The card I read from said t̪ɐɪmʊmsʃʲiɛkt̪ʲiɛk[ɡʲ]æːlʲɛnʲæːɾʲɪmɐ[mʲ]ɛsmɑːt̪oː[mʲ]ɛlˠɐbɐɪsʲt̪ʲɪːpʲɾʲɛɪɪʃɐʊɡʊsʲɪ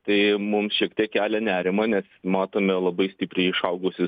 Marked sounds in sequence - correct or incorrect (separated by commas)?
incorrect, incorrect, correct